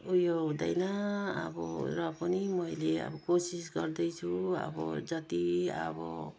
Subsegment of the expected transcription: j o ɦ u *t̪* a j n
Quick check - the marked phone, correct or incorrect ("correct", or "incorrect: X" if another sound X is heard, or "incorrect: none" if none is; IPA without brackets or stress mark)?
incorrect: d̪